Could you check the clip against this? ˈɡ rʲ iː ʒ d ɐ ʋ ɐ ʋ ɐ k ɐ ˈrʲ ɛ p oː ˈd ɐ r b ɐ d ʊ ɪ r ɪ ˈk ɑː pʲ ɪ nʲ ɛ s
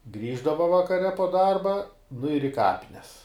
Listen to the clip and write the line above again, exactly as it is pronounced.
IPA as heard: ˈɡ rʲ iː ʒ d ɐ ʋ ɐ ʋ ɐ k ɐ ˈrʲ ɛ p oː ˈd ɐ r b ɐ n ʊ ɪ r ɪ ˈk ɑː pʲ ɪ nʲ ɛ s